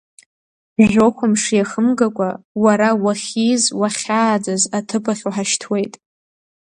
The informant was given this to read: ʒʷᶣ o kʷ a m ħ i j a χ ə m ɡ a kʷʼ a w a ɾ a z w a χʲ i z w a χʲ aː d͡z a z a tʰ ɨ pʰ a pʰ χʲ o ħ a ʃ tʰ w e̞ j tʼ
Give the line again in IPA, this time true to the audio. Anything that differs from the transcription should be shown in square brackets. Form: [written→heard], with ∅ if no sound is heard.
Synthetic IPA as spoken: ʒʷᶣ o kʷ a m [ħ→ʂ] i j a χ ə m ɡ a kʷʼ a w a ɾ a [z→∅] w a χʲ i z w a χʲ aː d͡z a z a tʰ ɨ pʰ a [pʰ→∅] χʲ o ħ a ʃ tʰ w e̞ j tʼ